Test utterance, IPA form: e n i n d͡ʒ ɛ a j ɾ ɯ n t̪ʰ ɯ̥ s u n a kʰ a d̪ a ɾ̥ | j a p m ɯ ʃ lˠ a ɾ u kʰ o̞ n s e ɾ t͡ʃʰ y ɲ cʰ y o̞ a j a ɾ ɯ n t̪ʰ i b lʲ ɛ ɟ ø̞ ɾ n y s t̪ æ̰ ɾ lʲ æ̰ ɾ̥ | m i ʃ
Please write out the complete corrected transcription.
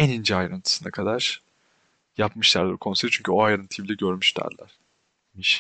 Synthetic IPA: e n i n d͡ʒ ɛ a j ɾ ɯ n t̪ʰ ɯ̥ s ɯ n a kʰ a d̪ a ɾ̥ | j a p m ɯ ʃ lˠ a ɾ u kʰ o̞ n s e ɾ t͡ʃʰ y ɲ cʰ y o̞ a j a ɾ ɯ n t̪ʰ i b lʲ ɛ ɟ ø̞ ɾ m y ʃ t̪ æ̰ ɾ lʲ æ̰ ɾ̥ | m i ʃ